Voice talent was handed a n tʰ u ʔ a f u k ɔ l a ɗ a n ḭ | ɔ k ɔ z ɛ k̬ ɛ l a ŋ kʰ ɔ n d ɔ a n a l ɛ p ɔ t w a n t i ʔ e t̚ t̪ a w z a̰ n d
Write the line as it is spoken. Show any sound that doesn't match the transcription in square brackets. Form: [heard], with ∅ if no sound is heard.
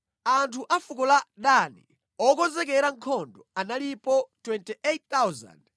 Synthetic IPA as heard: a n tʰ u ʔ a f u k ɔ l a ɗ a n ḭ | ɔ k ɔ z ɛ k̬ ɛ [ɾ] a ŋ kʰ ɔ n d ɔ a n a l [i] p ɔ t w [ɛ] n t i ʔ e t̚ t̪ a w z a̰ n d